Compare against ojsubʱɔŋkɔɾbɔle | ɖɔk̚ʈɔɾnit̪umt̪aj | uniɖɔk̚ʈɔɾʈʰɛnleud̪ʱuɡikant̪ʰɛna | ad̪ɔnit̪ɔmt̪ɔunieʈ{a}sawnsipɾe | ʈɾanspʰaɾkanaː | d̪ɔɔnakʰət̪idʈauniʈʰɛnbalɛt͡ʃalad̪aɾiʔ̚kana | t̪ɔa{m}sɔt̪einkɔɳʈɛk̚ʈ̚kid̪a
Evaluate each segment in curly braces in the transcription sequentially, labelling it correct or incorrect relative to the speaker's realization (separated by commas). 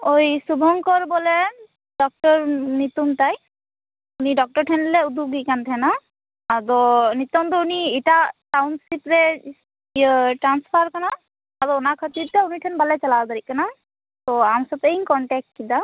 correct, correct